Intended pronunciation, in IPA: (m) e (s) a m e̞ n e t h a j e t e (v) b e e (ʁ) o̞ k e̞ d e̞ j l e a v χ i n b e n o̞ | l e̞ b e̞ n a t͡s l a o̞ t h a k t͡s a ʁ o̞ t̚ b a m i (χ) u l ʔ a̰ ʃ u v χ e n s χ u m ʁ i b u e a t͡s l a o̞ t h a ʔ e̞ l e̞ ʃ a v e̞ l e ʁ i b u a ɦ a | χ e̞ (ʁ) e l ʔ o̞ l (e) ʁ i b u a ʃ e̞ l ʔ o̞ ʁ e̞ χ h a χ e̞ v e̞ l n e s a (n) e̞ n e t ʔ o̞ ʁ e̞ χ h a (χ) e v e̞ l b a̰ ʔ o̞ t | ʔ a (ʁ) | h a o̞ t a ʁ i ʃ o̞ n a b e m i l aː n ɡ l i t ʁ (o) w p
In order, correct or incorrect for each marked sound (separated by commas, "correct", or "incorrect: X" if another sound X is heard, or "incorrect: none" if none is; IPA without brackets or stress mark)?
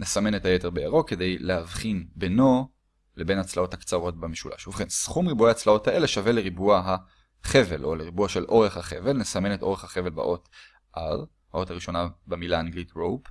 incorrect: n, correct, incorrect: ʁ, correct, incorrect: ʃ, incorrect: v, correct, incorrect: m, correct, correct, correct